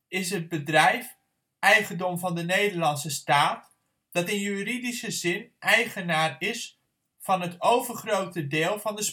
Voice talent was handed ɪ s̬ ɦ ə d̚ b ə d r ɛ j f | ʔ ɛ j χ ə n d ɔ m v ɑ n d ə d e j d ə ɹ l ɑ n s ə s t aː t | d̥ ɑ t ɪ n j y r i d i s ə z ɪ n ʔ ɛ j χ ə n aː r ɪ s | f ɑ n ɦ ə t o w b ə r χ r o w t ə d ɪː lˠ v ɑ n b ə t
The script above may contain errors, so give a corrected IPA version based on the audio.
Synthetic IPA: ɪ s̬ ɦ ə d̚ b ə d r ɛ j f | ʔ ɛ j χ ə n d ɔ m v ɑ n d ə n e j d ə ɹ l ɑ n s ə s t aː t | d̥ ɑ t ɪ n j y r i d i s ə z ɪ n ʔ ɛ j χ ə n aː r ɪ s | f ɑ n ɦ ə t o w v ə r χ r o w t ə d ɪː lˠ v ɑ n d ə s